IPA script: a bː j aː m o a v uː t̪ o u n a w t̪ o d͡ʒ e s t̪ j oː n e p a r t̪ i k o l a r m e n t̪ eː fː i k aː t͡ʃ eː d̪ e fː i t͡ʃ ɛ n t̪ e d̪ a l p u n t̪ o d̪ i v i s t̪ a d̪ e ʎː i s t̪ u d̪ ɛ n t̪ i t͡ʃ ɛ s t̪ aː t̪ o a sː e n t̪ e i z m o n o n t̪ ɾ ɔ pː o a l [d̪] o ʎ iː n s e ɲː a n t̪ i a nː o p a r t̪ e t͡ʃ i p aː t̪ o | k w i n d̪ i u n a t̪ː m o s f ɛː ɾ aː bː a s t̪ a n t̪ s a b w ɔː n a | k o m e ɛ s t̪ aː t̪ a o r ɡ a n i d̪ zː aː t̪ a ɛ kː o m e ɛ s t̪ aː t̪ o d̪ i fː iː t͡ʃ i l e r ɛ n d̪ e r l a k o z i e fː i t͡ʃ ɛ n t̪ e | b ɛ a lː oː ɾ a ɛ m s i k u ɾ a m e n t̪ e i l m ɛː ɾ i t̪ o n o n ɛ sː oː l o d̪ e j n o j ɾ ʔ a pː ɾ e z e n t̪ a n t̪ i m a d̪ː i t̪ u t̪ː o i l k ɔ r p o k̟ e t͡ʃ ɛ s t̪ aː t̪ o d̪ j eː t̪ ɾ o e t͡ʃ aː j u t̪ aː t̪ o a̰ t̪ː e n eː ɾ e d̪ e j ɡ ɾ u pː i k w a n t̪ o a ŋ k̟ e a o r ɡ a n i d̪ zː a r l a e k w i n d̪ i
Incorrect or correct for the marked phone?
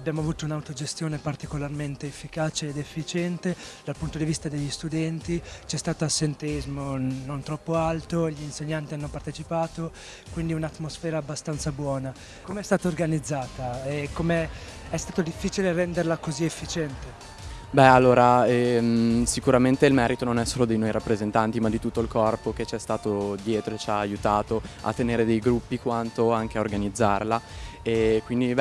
incorrect: t̪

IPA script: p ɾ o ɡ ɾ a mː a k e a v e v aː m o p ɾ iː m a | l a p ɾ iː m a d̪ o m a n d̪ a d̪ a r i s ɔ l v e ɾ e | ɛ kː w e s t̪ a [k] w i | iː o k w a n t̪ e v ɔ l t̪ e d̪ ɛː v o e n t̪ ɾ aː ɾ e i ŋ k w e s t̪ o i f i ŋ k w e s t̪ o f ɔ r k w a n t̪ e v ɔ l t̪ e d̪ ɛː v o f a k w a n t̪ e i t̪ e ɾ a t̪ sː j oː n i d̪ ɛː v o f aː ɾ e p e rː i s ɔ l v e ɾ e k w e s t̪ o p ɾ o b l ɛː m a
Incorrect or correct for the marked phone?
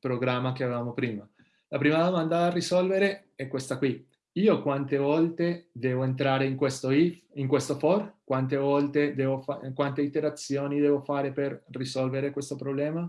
correct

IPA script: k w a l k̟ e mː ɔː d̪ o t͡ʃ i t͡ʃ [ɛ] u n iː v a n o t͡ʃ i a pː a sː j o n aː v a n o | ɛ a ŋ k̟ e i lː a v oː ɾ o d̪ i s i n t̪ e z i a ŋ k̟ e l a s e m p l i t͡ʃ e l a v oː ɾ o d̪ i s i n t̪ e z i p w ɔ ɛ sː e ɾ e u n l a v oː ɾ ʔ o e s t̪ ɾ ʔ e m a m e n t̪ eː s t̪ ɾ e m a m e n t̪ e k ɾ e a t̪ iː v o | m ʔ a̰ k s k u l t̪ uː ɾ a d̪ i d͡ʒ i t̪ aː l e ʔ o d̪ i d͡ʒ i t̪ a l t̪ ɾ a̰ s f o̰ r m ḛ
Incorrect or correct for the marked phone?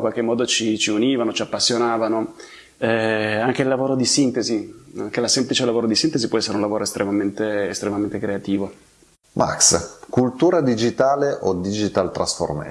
incorrect: i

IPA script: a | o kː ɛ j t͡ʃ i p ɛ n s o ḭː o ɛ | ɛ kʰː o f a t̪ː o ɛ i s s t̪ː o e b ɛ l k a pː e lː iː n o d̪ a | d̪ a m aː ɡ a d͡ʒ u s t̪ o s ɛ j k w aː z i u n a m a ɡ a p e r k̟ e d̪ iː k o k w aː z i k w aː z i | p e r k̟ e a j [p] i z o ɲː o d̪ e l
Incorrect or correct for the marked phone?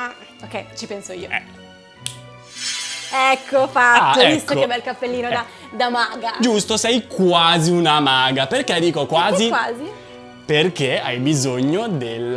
incorrect: b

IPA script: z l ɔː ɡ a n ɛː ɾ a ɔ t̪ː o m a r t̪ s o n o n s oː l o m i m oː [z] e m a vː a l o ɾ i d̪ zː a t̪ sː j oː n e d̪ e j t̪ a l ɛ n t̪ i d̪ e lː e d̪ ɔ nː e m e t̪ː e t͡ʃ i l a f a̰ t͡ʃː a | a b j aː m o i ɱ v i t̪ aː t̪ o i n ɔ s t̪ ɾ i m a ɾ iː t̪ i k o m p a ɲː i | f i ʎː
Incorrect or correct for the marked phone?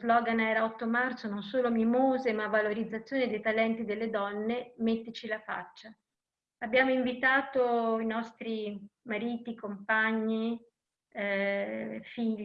correct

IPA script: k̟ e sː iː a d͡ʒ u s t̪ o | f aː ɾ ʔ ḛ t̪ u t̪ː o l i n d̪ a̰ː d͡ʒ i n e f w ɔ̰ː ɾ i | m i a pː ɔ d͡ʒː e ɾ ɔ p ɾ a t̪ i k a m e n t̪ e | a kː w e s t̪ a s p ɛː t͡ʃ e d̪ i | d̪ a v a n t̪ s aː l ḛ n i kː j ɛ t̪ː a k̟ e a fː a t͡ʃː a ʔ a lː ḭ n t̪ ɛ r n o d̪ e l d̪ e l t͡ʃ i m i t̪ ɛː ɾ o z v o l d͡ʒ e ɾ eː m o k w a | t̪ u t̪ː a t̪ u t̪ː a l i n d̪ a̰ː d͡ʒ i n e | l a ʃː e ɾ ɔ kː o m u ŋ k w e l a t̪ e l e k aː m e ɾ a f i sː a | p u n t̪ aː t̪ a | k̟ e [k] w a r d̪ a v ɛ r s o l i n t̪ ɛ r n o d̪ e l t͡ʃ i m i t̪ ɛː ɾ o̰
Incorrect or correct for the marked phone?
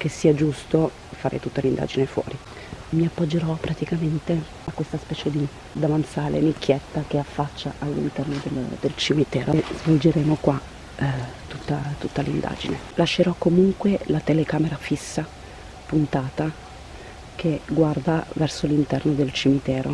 incorrect: ɡ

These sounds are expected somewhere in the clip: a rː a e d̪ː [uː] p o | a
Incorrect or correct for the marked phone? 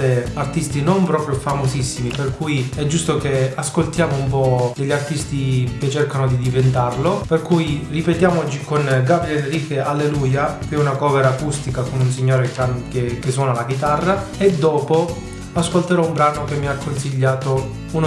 incorrect: ɔː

